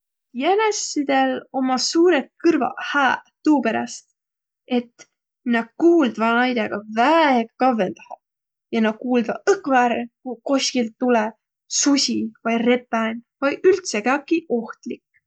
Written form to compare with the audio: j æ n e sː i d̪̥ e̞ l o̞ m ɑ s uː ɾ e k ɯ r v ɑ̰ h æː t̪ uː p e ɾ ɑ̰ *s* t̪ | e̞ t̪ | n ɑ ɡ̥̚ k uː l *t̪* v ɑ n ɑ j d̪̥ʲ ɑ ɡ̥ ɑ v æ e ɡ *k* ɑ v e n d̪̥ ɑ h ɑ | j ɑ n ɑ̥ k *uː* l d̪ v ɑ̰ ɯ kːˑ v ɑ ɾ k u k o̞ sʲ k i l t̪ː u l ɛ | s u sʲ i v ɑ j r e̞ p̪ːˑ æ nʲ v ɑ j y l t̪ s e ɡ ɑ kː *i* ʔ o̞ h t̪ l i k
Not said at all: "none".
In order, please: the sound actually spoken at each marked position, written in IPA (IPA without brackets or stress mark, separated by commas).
s, d̪, k, uː, i